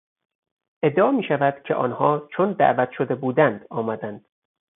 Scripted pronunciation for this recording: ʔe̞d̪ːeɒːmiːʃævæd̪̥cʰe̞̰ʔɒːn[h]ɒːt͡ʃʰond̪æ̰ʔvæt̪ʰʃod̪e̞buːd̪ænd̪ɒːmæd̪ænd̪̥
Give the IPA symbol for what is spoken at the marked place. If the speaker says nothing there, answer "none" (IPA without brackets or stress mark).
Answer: h